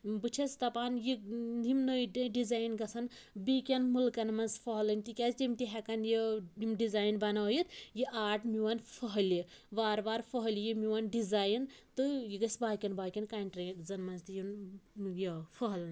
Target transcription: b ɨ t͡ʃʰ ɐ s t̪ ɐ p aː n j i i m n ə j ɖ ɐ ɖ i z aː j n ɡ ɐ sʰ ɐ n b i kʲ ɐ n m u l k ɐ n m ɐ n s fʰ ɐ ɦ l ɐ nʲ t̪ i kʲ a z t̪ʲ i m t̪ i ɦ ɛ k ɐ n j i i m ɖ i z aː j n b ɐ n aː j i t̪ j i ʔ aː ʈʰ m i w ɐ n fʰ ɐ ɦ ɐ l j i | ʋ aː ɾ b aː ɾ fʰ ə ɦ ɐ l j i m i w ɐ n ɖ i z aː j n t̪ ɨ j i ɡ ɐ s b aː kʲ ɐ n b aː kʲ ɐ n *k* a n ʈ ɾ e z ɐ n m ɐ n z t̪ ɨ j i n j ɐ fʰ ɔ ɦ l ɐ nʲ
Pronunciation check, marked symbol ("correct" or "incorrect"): correct